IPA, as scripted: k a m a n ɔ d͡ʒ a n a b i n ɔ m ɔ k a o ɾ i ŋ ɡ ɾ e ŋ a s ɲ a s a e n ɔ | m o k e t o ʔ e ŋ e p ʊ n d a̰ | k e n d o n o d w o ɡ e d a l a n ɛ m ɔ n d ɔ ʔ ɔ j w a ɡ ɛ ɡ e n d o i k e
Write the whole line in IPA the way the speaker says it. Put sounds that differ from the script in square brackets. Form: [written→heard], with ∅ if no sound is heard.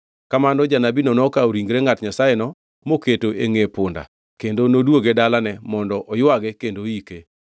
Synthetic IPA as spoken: k a m a n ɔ d͡ʒ a n a b i n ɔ [m→n] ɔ k a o ɾ i ŋ ɡ ɾ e ŋ a [s→t] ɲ a s a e n ɔ | m o k e t o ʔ e ŋ e p ʊ n d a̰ | k e n d o n o d w o ɡ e d a l a n ɛ m ɔ n d ɔ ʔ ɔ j w a ɡ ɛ [ɡ→k] e n d o i k e